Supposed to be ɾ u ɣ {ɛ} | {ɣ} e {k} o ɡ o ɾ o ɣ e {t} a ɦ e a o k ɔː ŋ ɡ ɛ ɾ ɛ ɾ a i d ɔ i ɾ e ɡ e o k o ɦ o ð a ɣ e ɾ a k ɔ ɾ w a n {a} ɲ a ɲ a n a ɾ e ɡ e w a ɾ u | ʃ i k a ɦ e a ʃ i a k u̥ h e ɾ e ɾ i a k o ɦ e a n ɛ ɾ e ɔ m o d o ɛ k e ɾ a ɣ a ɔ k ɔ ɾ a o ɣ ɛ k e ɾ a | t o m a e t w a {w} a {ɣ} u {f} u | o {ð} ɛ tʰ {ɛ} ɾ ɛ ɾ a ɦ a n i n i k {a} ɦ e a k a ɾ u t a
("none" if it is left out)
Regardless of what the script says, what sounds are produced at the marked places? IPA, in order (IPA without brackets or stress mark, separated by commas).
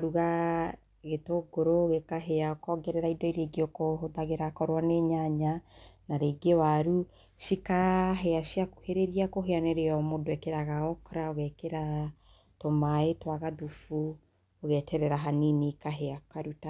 a, ɣ, t, k, e, ɣ, ð, f, ɣ, ɛ, a